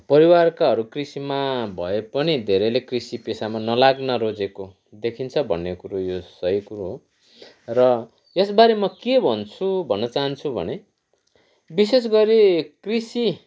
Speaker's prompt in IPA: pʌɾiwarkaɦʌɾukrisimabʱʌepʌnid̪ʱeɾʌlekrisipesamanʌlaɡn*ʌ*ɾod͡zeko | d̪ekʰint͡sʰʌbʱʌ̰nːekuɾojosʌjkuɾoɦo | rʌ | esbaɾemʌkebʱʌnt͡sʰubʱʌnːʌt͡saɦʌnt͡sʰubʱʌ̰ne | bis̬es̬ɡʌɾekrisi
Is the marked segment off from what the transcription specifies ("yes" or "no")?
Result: no